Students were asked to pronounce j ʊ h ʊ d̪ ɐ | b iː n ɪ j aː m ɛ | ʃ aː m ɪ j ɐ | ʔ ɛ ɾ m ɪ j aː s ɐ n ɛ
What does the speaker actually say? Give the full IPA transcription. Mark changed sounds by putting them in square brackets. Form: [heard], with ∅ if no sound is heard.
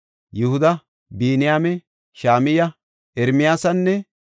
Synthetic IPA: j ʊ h ʊ d̪ ɐ | b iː n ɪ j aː m ɛ | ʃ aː m ɪ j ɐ | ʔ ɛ ɾ m ɪ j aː s ɐ [nː] ɛ